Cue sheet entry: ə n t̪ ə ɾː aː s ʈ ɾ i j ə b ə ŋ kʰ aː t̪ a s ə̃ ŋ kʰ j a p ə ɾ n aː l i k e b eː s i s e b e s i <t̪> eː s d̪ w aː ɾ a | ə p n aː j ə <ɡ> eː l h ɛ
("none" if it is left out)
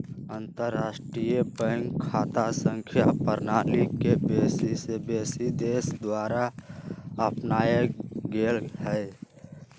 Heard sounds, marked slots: d̪, ɡ

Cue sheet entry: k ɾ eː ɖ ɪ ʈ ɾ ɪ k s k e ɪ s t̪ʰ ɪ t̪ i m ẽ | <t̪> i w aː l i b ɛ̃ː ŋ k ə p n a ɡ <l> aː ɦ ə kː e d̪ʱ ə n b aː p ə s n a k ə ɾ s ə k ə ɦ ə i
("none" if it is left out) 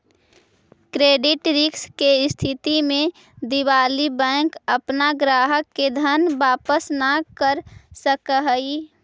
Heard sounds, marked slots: d̪, ɾ

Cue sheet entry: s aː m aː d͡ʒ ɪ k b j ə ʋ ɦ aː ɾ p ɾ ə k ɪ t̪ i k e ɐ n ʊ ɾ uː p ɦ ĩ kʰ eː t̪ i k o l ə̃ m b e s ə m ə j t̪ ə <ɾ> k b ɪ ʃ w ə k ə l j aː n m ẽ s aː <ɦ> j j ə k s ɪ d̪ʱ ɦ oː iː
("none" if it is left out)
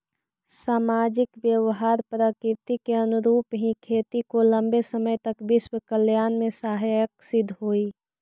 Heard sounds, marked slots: none, ɦ

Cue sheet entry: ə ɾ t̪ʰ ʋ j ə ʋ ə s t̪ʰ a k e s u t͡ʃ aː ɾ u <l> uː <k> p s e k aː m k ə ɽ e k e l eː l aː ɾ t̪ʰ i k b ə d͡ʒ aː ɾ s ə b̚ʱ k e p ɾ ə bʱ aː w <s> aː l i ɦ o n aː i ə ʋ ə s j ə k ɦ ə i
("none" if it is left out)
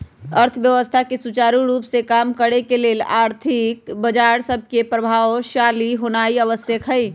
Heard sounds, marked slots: ɾ, none, ʃ

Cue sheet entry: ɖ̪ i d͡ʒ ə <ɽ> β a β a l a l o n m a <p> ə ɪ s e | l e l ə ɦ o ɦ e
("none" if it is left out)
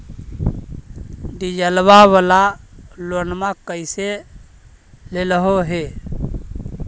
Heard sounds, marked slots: l, k

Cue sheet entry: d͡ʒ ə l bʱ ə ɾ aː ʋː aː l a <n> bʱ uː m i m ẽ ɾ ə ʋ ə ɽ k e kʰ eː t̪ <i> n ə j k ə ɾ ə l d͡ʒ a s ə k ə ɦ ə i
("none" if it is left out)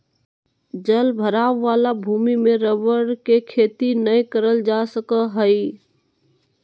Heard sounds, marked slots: none, i

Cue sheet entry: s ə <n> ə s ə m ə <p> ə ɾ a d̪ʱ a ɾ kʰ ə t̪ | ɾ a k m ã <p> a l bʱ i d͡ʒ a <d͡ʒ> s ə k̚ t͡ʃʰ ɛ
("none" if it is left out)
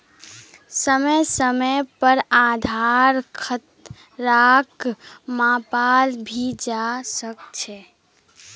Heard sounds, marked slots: m, p, p, none

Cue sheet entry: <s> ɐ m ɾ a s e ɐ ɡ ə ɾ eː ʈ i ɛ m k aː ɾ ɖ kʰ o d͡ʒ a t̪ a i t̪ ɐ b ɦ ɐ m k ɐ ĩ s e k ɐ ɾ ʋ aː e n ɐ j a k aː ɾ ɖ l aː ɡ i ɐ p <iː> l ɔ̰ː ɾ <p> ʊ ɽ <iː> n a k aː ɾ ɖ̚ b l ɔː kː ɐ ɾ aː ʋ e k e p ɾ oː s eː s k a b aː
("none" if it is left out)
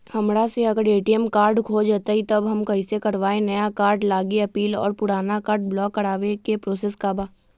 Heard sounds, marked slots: h, iː, p, aː

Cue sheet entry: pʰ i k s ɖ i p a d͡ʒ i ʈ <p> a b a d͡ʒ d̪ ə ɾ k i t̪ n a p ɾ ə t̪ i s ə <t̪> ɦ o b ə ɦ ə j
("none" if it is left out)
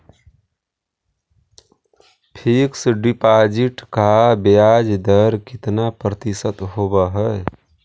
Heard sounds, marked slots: k, t̪

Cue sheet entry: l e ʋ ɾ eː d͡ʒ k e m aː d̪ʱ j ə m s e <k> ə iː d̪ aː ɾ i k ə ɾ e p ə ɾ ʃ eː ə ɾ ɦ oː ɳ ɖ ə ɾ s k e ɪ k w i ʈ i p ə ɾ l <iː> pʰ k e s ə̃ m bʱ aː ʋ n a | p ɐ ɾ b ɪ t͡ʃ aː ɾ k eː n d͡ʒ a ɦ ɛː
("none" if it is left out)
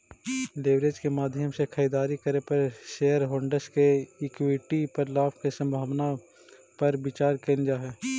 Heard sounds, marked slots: kʰ, aː

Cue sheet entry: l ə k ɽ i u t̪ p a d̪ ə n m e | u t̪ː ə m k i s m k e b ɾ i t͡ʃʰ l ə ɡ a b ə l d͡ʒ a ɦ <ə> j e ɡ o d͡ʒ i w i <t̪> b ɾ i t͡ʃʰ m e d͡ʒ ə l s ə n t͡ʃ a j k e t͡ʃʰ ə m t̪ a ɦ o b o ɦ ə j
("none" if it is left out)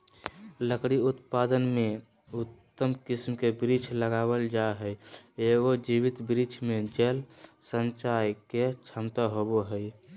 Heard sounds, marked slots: ə, t̪

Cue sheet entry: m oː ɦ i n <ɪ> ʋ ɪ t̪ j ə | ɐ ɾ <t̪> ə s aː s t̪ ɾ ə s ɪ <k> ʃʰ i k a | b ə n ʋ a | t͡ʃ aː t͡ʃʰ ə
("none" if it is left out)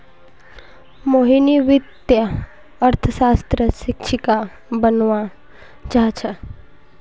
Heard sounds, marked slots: i, t̪ʰ, k

